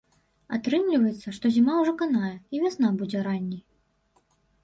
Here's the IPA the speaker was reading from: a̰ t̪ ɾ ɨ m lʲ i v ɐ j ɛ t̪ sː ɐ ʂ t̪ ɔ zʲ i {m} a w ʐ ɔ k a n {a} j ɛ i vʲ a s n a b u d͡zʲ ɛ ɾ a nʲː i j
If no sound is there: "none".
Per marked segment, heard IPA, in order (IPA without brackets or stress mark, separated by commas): m, a